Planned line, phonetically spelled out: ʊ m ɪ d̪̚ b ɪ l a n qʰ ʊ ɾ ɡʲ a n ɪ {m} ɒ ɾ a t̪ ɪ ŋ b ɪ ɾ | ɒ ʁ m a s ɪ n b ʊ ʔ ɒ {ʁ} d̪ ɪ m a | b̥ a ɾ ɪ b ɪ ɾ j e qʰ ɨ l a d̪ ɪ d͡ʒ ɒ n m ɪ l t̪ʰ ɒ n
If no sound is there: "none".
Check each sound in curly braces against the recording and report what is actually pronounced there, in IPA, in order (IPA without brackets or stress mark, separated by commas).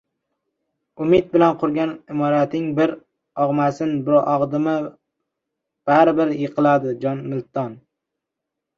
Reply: m, ʁ